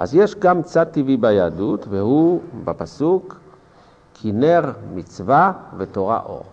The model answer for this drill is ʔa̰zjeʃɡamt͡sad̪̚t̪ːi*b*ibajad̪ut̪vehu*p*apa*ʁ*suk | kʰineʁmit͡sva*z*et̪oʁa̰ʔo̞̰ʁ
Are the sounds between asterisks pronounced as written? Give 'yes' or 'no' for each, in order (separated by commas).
no, no, no, no